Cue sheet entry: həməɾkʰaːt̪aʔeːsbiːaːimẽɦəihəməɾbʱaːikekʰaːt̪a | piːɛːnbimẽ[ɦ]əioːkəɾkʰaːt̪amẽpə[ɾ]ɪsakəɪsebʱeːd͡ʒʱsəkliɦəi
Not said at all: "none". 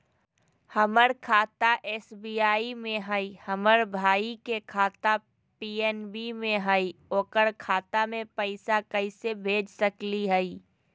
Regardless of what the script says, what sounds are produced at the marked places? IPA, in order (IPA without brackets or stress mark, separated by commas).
ɦ, none